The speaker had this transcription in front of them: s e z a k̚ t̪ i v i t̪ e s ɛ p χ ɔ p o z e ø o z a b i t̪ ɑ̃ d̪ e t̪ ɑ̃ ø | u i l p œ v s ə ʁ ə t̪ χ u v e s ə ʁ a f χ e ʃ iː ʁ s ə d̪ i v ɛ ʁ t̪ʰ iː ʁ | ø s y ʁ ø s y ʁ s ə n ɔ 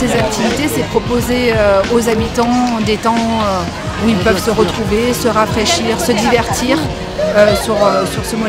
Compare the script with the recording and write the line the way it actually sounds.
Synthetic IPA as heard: s e z a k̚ t̪ i v i t̪ e s ɛ p χ ɔ p o z e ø o z a b i t̪ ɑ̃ d̪ e t̪ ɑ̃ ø | u i l p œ v s ə ʁ ə t̪ χ u v e s ə ʁ a f χ e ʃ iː ʁ s ə d̪ i v ɛ ʁ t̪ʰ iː ʁ | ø s y ʁ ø s y ʁ s ə m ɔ